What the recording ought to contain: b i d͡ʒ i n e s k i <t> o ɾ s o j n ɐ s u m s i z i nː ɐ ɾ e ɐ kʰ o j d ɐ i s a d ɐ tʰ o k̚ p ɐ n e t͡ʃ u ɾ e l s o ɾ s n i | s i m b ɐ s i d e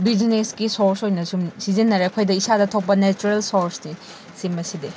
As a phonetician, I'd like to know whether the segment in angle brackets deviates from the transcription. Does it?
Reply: yes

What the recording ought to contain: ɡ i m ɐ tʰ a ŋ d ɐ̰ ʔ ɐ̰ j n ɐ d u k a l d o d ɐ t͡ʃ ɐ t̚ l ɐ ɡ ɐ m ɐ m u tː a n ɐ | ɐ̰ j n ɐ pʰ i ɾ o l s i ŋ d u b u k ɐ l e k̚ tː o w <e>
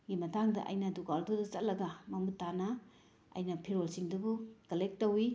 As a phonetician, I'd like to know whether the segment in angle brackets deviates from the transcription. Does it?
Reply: yes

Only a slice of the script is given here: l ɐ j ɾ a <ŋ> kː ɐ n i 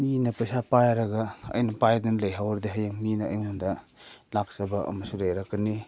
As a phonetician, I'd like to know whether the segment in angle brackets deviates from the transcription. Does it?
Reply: yes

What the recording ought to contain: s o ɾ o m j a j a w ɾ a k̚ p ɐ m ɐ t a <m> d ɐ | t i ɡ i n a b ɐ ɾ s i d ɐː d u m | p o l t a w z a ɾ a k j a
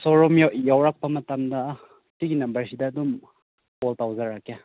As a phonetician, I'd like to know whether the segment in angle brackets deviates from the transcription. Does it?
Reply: no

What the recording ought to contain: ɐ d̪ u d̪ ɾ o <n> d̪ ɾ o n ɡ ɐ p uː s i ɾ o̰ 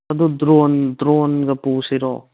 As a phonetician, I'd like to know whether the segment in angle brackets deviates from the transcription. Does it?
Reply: no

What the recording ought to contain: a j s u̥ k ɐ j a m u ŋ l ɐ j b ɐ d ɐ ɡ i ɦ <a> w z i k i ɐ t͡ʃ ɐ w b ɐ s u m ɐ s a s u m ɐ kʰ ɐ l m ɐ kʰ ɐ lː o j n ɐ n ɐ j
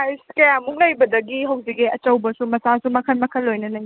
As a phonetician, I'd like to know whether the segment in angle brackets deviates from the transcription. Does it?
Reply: yes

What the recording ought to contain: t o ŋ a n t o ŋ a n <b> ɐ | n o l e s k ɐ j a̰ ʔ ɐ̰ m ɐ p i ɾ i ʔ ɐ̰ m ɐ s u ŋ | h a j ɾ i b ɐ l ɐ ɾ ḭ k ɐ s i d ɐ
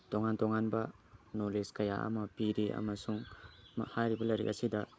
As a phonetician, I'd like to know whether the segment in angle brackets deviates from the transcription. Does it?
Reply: no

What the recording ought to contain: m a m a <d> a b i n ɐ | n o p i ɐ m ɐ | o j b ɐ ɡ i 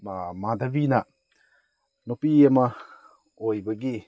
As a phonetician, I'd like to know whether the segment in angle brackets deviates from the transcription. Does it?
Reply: no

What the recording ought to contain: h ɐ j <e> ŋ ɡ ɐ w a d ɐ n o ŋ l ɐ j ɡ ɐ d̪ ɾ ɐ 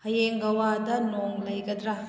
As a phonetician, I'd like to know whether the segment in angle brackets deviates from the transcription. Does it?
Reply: no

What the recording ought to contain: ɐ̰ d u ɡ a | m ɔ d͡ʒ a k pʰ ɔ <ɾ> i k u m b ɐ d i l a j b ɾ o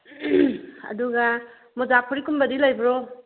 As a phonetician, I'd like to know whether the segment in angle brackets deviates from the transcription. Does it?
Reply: no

